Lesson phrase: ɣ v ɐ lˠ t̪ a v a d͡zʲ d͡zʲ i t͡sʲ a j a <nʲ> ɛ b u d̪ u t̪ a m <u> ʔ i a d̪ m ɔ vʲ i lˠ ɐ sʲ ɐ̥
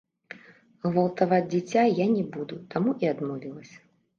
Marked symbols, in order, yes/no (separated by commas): yes, yes